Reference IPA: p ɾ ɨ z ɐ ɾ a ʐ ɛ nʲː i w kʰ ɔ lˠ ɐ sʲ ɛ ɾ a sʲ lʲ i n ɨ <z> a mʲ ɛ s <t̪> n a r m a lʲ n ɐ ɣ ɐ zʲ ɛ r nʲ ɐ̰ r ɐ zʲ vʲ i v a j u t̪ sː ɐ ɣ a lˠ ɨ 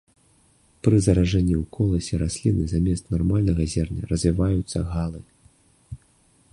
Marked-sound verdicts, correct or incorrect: correct, correct

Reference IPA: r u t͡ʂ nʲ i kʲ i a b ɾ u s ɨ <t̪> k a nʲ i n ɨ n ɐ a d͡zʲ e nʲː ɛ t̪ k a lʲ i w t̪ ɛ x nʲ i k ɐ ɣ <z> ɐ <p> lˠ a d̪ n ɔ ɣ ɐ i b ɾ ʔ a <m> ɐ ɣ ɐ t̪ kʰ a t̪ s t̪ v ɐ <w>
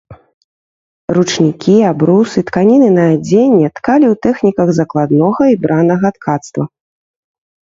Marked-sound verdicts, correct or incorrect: correct, correct, incorrect, incorrect, incorrect

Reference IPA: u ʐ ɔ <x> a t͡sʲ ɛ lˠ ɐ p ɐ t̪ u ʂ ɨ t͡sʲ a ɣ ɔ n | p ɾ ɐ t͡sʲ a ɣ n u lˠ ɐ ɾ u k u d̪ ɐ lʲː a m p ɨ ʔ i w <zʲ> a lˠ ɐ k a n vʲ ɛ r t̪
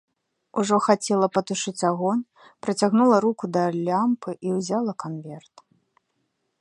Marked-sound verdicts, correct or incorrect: correct, correct

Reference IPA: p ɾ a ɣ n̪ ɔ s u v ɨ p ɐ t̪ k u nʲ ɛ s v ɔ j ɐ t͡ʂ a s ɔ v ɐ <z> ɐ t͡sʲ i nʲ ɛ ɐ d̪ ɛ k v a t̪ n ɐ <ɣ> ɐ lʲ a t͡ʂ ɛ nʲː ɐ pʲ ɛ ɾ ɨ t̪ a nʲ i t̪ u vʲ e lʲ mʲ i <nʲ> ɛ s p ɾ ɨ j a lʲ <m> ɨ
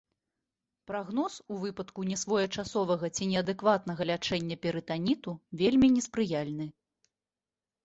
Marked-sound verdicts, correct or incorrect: incorrect, correct, correct, incorrect

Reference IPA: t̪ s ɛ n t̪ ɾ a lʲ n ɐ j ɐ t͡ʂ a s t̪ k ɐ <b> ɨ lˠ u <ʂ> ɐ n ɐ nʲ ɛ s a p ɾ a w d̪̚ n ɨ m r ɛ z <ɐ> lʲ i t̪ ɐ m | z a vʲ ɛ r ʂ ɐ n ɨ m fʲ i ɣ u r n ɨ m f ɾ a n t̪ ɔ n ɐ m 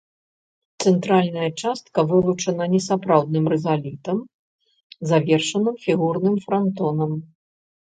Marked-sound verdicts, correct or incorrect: incorrect, incorrect, incorrect

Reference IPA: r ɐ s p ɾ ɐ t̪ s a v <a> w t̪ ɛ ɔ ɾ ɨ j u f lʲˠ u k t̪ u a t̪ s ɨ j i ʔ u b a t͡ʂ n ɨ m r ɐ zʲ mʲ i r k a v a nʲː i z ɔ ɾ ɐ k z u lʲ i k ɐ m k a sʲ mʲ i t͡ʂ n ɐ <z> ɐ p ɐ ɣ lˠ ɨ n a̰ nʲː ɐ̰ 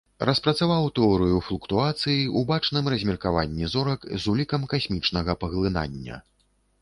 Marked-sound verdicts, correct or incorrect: correct, incorrect

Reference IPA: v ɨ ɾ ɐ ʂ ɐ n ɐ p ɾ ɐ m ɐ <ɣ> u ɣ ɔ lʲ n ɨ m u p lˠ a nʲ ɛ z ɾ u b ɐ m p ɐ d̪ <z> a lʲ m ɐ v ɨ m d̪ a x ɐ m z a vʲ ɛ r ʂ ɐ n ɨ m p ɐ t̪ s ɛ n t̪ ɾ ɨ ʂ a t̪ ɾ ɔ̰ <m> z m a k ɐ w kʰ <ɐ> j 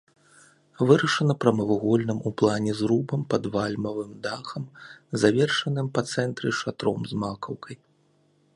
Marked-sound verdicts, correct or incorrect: incorrect, incorrect, correct, correct

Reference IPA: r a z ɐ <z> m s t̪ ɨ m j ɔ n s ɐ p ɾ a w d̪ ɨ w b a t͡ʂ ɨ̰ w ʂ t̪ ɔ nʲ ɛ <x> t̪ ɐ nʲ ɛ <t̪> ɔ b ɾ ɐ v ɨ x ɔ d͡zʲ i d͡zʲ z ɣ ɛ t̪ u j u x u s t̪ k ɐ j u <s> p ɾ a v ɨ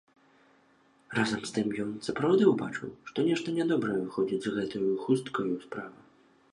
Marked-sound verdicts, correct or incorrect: incorrect, incorrect, incorrect, correct

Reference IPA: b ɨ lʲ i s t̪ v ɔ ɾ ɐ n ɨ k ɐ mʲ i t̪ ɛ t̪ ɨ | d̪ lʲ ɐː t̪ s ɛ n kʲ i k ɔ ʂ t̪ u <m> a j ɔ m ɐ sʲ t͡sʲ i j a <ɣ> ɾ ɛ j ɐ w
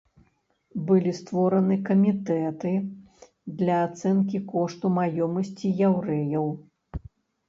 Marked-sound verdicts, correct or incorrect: correct, incorrect

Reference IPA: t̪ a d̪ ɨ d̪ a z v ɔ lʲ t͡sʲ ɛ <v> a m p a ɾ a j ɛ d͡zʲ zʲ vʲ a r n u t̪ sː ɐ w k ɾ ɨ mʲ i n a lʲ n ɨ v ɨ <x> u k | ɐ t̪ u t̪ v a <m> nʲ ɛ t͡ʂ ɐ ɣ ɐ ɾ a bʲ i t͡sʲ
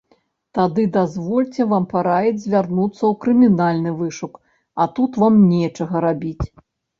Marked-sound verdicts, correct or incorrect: correct, incorrect, correct

